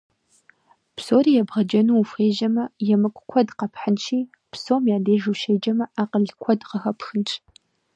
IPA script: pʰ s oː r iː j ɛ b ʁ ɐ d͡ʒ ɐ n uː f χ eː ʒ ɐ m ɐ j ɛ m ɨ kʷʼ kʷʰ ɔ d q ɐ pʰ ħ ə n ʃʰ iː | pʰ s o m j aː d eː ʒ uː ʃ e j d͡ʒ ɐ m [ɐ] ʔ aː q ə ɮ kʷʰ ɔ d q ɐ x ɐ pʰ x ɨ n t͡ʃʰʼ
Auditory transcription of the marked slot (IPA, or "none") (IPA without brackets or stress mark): ɐ